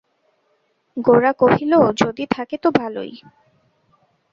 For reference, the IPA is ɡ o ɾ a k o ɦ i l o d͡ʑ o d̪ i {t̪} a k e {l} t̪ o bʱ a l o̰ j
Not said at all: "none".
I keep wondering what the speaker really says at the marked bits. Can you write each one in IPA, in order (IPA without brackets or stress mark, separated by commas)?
t̪ʰ, none